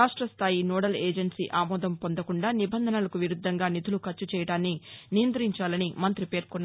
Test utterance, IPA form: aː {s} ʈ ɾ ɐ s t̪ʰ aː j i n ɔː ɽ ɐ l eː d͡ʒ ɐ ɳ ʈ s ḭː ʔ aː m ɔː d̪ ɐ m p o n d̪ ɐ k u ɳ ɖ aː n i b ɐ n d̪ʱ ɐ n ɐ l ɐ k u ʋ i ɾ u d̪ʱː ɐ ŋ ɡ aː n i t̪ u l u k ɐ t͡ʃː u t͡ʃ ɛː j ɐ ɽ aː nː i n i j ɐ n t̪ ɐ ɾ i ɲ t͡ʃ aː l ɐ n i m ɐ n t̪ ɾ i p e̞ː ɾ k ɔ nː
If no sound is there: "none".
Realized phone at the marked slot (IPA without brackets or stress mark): ʂ